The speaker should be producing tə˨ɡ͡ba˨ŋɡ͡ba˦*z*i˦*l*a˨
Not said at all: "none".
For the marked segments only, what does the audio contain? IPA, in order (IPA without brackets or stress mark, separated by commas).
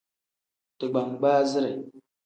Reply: z, ɾ